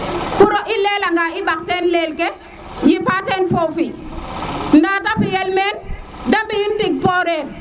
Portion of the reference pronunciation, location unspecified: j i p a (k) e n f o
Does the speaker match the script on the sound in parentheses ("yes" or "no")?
no